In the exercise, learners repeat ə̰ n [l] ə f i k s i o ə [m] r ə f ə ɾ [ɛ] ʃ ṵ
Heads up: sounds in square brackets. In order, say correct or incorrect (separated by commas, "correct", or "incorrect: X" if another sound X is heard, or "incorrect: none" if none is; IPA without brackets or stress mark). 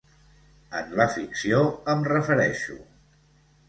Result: correct, correct, correct